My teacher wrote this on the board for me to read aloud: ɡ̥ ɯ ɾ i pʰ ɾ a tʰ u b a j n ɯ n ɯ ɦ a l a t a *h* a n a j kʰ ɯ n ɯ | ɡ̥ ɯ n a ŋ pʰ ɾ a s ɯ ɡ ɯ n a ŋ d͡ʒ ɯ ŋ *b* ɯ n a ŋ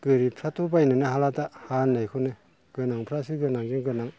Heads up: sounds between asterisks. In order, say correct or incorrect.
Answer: correct, incorrect

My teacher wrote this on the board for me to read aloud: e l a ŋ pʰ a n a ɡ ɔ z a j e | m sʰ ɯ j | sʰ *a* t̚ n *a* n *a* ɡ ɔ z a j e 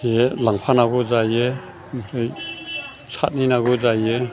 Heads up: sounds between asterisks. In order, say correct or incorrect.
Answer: correct, incorrect, correct

